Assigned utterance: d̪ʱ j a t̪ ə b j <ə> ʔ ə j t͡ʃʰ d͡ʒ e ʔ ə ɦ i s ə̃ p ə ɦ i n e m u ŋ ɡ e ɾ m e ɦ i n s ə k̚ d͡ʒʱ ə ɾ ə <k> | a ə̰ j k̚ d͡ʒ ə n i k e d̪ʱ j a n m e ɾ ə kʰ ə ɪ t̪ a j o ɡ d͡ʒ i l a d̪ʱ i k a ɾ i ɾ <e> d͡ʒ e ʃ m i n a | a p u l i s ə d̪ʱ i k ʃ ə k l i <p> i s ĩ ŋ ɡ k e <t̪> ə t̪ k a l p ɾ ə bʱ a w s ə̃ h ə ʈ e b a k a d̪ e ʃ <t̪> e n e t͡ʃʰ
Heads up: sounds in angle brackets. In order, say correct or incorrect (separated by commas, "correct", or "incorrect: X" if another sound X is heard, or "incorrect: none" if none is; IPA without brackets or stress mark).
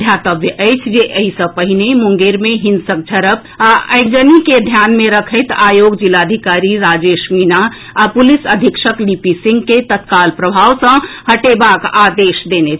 correct, incorrect: p, incorrect: a, correct, correct, incorrect: d̪